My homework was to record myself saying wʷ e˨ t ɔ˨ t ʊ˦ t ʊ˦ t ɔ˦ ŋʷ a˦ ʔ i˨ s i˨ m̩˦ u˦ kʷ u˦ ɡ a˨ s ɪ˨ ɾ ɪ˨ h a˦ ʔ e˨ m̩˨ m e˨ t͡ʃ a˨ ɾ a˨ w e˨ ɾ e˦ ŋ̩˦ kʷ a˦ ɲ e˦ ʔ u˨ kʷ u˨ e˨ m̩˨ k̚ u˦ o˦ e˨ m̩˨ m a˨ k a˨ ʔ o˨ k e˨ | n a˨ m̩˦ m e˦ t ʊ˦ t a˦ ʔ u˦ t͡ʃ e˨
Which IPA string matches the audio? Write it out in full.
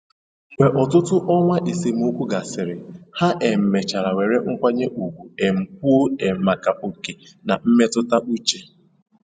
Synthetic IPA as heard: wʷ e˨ ʔ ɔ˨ t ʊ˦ t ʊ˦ ʔ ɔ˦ ŋʷ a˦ ʔ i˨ s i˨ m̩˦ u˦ kʷ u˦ ɡ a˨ s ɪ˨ ɾ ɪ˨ h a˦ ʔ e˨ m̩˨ m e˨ t͡ʃ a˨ ɾ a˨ w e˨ ɾ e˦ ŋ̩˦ kʷ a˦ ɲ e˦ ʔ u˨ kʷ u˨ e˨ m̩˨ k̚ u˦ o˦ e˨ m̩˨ m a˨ k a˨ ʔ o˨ k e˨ | n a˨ m̩˦ m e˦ t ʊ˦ t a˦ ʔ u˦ t͡ʃ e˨